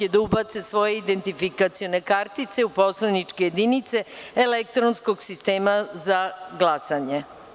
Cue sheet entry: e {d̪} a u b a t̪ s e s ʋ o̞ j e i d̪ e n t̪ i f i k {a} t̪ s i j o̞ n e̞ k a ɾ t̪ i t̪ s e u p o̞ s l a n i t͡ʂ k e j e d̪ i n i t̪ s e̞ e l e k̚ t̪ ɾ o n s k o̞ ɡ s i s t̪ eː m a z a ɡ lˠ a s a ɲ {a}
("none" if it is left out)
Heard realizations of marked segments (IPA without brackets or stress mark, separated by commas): d̪, a, e